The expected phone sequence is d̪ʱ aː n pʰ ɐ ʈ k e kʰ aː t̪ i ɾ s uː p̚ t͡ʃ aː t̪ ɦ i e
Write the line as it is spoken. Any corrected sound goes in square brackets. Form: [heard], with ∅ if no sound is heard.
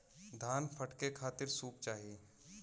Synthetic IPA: d̪ʱ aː n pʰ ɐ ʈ k e kʰ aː t̪ [ɪ] ɾ s uː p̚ t͡ʃ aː [∅] ɦ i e